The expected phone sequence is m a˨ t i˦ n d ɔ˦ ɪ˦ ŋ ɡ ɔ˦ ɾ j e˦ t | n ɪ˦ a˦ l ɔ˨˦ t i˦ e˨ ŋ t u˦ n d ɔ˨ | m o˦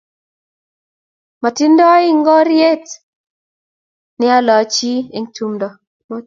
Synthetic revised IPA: m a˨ t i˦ n d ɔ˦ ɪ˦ ŋ ɡ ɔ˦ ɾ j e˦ t | n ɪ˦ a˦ l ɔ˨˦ t͡ʃ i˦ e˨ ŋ t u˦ m d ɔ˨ | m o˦